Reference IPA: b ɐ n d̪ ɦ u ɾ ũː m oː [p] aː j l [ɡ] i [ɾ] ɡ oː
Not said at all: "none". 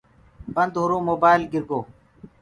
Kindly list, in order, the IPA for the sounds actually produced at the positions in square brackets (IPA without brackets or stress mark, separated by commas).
b, ɡ, ɾ